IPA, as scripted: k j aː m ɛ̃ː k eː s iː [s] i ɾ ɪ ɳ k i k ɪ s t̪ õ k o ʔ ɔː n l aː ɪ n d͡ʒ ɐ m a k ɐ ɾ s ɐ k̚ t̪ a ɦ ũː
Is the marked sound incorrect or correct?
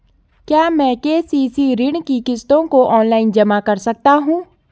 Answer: correct